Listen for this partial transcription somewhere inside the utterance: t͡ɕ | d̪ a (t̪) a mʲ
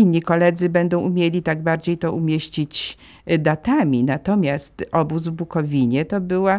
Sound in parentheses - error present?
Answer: no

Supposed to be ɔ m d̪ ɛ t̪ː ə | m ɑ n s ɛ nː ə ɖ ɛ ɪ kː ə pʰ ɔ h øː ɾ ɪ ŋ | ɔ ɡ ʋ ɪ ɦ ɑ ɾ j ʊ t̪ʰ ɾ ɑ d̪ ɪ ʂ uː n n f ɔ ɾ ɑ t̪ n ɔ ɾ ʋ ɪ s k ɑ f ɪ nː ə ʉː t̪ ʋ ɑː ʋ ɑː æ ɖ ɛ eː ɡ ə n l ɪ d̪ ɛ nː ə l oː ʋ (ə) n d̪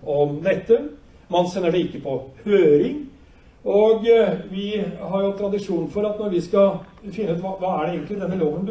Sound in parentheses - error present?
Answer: no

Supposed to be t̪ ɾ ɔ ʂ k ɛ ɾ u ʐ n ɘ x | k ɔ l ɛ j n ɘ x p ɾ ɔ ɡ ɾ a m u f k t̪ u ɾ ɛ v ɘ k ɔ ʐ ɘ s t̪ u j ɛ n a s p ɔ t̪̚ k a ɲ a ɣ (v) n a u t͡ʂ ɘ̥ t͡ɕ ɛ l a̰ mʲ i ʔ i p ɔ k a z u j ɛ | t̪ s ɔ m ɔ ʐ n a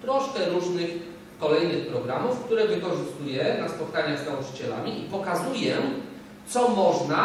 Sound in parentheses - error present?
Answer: yes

